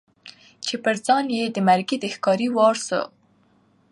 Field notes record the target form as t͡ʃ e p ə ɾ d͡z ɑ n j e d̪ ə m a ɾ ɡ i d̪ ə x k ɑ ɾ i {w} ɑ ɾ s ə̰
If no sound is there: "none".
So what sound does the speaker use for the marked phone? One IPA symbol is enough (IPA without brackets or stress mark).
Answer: w